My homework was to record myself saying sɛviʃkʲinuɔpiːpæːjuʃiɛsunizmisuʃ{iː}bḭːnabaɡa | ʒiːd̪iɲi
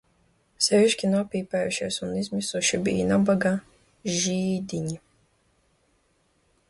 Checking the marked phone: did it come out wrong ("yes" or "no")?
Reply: yes